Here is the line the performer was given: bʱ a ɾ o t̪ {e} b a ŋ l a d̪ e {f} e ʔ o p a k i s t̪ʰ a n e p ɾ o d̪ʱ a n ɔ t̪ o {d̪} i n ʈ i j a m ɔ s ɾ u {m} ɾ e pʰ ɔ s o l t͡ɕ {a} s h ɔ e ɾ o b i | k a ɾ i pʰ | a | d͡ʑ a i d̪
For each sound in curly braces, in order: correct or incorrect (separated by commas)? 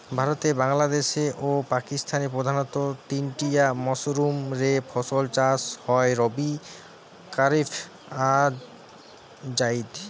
correct, incorrect, incorrect, correct, correct